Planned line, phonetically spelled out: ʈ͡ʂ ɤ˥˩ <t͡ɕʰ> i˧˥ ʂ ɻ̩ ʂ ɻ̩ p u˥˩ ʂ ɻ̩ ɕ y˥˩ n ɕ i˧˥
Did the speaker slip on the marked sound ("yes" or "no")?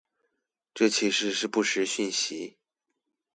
no